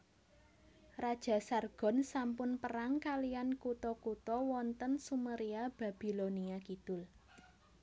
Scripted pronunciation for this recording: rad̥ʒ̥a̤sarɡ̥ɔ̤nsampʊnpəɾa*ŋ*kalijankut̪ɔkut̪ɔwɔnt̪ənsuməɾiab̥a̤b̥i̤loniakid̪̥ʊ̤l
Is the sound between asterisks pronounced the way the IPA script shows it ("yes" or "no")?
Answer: yes